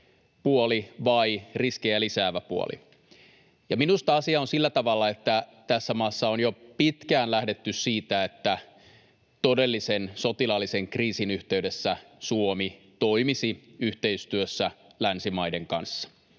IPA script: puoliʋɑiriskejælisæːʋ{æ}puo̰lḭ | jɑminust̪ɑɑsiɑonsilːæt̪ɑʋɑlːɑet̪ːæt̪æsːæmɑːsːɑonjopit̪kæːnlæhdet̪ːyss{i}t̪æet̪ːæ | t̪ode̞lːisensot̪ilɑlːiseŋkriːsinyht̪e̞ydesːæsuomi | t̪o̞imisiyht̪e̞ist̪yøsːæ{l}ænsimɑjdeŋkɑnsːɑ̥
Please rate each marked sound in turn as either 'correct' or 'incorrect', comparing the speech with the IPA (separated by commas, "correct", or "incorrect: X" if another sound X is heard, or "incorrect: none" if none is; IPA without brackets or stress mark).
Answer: correct, incorrect: iː, correct